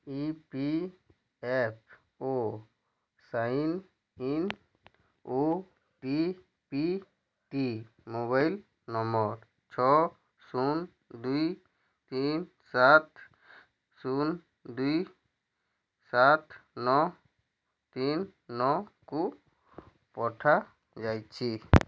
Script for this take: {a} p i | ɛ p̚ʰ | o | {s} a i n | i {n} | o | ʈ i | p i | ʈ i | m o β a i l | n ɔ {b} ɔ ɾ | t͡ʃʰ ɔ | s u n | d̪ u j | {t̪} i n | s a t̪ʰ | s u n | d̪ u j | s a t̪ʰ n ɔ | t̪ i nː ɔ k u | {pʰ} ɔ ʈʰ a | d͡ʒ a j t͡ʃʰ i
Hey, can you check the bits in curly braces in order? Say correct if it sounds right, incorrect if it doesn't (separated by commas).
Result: incorrect, correct, correct, incorrect, correct, incorrect